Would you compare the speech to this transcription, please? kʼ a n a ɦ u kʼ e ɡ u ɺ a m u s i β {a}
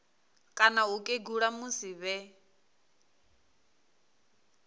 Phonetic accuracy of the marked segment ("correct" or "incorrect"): incorrect